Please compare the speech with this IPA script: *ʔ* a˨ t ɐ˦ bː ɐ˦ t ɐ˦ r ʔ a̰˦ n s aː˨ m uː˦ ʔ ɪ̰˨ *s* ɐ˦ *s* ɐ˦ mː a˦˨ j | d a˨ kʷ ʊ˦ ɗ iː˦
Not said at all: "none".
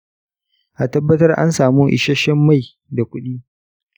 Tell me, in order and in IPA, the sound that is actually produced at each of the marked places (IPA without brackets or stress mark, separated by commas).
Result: ʔ, ʃ, ʃ